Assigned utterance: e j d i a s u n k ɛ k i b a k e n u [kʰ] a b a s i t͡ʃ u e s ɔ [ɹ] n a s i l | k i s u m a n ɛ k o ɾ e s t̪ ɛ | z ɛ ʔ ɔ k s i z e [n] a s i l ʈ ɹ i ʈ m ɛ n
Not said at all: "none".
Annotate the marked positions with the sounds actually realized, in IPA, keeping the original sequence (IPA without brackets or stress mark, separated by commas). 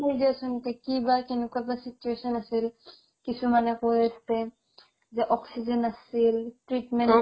k, none, n